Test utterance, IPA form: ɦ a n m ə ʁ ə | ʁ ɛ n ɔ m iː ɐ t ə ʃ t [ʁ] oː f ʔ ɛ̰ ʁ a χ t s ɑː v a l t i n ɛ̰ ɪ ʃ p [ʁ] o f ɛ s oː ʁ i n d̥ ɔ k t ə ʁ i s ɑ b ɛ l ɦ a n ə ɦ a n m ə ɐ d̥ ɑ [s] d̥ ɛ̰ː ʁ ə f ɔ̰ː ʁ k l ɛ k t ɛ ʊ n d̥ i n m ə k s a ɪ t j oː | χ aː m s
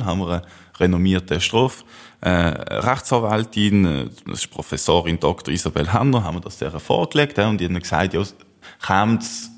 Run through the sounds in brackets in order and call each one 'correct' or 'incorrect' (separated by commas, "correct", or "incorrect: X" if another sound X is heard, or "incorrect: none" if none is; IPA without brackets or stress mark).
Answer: correct, correct, correct